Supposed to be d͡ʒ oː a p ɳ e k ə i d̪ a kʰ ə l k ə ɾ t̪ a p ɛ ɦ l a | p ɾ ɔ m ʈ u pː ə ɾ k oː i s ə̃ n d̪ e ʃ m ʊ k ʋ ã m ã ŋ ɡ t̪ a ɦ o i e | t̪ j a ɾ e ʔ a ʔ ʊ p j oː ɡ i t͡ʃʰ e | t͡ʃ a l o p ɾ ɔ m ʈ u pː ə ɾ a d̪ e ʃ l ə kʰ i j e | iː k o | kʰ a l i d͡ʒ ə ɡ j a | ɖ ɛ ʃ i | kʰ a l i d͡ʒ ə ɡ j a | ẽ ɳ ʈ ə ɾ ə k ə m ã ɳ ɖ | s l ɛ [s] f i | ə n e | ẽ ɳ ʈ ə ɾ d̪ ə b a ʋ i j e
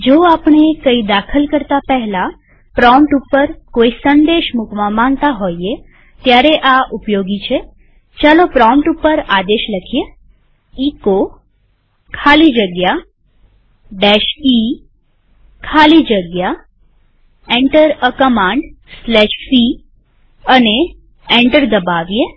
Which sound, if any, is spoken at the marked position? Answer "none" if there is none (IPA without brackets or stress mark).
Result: ʃ